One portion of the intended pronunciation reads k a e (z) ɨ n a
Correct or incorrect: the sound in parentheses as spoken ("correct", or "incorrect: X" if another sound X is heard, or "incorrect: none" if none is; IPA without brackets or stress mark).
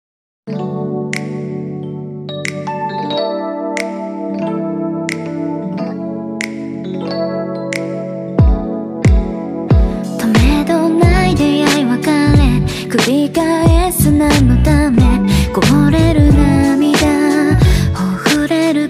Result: incorrect: s